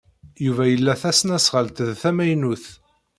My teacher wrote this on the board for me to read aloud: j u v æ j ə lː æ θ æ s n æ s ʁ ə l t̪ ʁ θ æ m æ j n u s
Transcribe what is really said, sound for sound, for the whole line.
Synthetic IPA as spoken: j u v æ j ə lː æ θ æ s n æ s ʁ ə l t̪ ð θ æ m æ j n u θ